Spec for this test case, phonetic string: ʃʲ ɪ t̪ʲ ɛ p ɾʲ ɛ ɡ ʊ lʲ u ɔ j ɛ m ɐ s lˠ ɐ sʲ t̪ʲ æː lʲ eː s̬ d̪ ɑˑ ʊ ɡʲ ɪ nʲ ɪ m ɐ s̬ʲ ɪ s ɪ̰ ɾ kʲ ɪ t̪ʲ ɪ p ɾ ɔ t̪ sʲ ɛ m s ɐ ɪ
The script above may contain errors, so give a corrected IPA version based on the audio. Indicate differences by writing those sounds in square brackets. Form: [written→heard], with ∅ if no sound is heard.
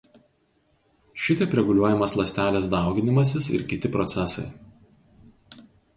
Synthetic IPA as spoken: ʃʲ ɪ t̪ʲ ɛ p ɾʲ ɛ ɡ ʊ lʲ u ɔ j ɛ m ɐ s lˠ ɐ sʲ t̪ʲ æː lʲ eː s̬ d̪ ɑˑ ʊ ɡʲ ɪ nʲ ɪ m ɐ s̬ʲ ɪ s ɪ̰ ɾ kʲ ɪ t̪ʲ ɪ p ɾ ɔ t̪ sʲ ɛ [m→∅] s ɐ ɪ